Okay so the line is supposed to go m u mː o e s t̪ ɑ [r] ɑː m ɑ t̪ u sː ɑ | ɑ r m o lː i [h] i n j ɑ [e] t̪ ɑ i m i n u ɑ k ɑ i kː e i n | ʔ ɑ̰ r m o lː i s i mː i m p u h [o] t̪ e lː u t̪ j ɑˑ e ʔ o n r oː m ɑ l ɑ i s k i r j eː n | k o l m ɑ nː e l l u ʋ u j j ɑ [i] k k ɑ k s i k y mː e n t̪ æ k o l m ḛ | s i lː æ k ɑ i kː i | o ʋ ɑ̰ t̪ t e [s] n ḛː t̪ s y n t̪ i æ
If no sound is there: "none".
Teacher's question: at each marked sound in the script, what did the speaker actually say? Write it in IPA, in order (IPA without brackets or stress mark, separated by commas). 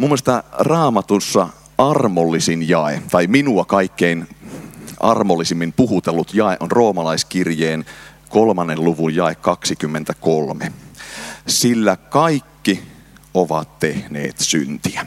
r, s, e, u, e, h